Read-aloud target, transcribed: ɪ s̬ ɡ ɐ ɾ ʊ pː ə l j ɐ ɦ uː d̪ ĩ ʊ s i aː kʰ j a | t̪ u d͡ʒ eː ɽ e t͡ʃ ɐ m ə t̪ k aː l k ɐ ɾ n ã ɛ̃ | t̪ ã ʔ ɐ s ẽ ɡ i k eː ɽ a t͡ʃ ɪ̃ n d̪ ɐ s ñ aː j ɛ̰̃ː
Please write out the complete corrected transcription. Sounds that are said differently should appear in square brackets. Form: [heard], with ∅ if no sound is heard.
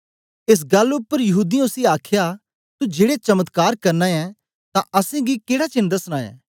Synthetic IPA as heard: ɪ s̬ ɡ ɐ [l] ʊ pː ə [ɾ] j ɐ ɦ uː d̪ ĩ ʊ s i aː kʰ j a | t̪ u d͡ʒ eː ɽ e t͡ʃ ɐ m ə t̪ k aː [ɾ] k ɐ ɾ n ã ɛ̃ | t̪ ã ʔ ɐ s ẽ ɡ i k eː ɽ a t͡ʃ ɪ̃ n d̪ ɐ s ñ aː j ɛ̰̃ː